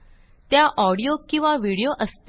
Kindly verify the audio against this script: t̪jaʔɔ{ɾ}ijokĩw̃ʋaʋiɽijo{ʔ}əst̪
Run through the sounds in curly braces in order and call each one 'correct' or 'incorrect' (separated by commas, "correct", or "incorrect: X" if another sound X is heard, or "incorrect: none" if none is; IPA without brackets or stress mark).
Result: incorrect: ɽ, correct